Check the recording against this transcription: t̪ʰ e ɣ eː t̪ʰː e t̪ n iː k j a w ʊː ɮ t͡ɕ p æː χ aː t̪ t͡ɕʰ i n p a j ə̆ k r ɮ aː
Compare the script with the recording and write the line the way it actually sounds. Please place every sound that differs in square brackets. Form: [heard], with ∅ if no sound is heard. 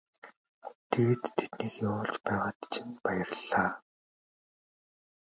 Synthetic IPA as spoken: t̪ʰ e ɣ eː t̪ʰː e t̪ n iː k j a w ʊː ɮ t͡ɕ p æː [ʁ] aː t̪ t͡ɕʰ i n p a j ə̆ [∅] r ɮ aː